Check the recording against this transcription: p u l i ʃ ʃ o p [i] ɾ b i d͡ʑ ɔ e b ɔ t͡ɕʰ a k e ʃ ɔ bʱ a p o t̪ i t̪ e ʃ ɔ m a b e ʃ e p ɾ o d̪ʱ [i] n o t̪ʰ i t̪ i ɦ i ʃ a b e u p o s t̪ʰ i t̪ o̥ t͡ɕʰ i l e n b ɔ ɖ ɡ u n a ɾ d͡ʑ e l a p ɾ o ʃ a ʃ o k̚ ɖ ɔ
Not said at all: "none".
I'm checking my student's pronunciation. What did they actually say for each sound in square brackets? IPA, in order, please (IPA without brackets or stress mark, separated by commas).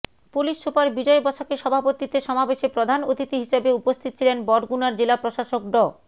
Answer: a, a